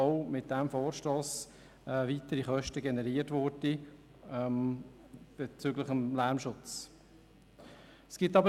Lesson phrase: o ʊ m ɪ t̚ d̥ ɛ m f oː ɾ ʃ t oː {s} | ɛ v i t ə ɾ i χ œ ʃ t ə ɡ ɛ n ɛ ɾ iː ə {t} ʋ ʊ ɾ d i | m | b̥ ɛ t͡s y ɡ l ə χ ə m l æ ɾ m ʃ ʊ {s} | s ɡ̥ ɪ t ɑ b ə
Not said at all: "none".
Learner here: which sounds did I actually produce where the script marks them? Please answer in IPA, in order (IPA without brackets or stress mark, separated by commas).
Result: s, t, t͡s